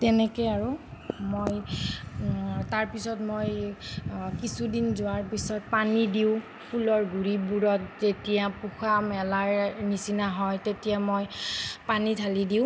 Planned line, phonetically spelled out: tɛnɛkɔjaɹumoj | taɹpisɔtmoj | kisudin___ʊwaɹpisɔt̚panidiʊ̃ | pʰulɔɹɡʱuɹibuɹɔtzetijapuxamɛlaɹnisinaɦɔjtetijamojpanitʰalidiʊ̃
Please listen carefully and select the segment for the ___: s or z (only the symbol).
z